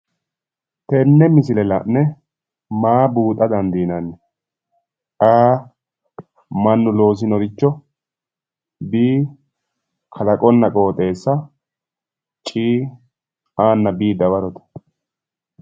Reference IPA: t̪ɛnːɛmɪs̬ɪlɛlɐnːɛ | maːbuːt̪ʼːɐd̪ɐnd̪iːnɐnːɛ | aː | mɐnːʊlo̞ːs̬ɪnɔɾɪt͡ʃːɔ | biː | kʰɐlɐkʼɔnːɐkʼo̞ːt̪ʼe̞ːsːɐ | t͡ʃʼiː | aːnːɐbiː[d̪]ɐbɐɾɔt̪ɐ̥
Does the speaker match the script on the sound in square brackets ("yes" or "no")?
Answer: yes